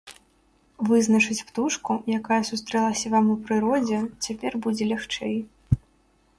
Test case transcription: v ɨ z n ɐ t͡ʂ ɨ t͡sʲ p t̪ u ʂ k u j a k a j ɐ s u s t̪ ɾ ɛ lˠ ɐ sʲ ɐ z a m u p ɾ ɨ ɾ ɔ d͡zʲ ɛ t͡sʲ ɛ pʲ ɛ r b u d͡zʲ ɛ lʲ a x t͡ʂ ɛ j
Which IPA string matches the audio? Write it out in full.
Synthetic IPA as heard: v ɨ z n ɐ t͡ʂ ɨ t͡sʲ p t̪ u ʂ k u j a k a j ɐ s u s t̪ ɾ ɛ lˠ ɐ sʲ ɐ v a m u p ɾ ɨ ɾ ɔ d͡zʲ ɛ t͡sʲ a pʲ ɛ r b u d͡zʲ ɛ lʲ a x t͡ʂ ɛ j